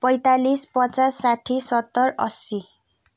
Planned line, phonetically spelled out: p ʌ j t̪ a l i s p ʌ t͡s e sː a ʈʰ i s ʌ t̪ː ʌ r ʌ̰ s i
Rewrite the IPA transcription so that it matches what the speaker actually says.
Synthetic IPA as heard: p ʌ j t̪ a l i s p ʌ t͡s a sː a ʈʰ i s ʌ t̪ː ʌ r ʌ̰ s i